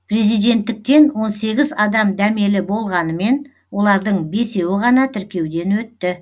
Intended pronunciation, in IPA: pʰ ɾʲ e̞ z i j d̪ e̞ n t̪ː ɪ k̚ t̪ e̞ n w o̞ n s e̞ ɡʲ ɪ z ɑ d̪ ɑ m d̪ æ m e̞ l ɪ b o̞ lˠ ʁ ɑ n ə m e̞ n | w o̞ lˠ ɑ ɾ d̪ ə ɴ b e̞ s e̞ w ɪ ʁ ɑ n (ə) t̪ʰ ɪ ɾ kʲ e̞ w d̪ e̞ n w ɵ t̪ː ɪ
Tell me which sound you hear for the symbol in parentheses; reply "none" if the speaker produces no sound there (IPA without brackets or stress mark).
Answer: ɑ